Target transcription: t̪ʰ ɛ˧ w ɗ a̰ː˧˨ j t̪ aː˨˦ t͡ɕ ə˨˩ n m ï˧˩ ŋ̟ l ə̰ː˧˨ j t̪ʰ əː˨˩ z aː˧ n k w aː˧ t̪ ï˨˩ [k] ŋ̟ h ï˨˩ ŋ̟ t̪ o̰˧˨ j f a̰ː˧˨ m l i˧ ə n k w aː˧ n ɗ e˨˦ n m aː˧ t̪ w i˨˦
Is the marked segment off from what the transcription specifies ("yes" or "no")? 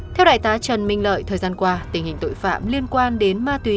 yes